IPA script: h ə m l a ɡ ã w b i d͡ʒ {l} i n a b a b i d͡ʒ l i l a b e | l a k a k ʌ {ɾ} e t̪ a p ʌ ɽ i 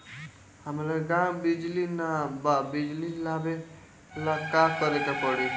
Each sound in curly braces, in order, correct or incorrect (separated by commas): correct, correct